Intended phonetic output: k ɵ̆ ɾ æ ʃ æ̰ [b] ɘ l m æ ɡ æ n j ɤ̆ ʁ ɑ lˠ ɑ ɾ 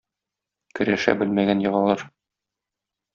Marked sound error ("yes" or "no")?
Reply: no